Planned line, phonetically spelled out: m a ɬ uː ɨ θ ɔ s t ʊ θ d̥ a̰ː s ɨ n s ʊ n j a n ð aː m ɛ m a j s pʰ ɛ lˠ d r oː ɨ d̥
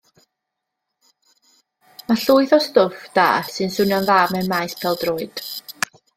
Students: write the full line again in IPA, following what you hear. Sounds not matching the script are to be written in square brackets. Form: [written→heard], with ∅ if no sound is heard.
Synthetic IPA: m a ɬ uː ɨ θ ɔ s t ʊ [θ→f] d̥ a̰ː s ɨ n s ʊ n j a n ð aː m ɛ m a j s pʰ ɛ lˠ d r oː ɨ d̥